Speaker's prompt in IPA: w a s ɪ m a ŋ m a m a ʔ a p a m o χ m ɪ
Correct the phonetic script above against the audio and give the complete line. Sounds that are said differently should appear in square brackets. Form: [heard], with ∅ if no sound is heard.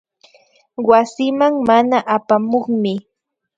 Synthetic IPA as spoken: w a s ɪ m a ŋ m a [n] a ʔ a p a m o χ m ɪ